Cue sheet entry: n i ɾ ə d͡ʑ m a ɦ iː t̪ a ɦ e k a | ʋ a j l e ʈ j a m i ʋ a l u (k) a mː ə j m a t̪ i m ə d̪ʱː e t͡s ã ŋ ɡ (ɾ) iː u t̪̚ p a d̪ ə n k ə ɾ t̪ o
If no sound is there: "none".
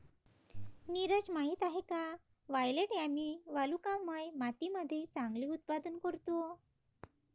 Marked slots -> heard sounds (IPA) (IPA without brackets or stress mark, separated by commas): k, l